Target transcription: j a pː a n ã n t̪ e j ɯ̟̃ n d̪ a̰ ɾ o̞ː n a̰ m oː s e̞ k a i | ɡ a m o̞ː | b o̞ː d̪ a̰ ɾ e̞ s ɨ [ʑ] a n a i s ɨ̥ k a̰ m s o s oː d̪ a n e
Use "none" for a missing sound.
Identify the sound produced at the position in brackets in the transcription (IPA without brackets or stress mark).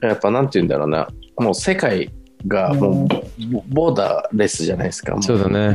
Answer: ʑ